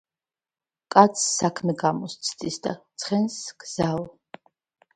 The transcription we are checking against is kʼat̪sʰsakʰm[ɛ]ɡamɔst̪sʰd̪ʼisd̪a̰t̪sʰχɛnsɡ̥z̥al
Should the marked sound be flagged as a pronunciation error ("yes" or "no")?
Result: no